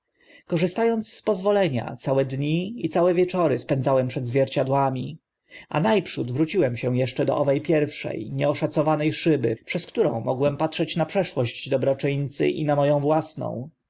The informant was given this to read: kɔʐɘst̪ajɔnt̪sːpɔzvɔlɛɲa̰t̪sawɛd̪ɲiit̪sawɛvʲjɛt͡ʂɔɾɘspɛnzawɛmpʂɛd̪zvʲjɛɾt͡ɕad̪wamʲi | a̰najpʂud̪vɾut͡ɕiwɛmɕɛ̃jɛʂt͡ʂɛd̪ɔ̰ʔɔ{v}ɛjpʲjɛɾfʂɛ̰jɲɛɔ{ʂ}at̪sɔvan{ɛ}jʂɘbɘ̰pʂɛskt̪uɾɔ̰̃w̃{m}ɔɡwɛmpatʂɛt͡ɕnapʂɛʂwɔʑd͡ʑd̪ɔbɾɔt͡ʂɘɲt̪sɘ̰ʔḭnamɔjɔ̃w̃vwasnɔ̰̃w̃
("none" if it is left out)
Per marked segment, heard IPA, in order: v, ʂ, ɛ, m

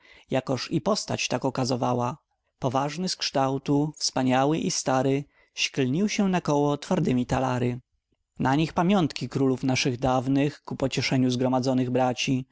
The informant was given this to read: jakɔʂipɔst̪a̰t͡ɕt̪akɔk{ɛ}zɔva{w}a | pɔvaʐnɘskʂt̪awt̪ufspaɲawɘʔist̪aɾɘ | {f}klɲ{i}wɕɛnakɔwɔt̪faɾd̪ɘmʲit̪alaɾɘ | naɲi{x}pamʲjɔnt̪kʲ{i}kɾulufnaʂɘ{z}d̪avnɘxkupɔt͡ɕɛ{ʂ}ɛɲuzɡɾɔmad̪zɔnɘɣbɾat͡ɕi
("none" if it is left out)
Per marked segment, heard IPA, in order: a, w, ɕ, i, x, i, ɣ, ʂ

